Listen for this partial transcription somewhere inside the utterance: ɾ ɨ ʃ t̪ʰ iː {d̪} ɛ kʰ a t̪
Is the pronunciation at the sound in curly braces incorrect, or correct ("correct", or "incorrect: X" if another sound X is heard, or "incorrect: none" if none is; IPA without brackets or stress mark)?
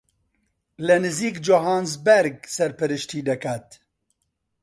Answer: correct